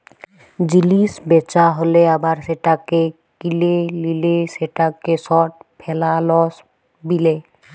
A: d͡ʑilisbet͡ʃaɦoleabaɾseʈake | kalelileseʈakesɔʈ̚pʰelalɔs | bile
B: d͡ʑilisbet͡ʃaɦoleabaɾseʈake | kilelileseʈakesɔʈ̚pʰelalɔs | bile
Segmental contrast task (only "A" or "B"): B